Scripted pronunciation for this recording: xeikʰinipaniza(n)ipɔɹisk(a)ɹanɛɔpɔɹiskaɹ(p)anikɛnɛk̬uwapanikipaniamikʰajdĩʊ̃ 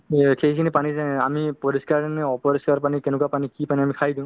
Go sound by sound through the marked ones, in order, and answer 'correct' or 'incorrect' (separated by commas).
incorrect, correct, correct